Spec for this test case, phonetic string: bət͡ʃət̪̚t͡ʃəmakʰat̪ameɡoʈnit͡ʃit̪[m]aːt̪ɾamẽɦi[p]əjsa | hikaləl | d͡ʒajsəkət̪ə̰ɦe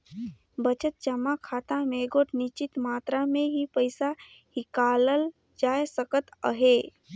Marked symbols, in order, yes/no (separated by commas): yes, yes